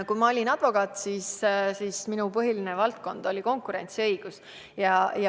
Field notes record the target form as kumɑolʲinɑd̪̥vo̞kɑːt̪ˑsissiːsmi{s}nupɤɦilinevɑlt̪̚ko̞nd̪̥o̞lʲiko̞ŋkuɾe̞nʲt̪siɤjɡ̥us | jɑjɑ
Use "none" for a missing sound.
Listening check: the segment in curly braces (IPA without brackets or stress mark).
none